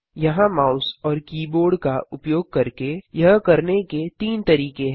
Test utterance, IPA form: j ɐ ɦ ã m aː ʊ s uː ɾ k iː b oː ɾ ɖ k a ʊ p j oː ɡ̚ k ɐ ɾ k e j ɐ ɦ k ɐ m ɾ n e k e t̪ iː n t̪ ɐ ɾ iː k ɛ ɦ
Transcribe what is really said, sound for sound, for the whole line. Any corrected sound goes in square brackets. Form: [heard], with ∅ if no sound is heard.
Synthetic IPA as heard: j ɐ ɦ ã m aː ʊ s [ɔː] ɾ k iː b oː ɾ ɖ k a ʊ p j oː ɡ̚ k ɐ ɾ k e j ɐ ɦ k ɐ [∅] ɾ n e k e t̪ iː n t̪ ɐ ɾ iː k [e] ɦ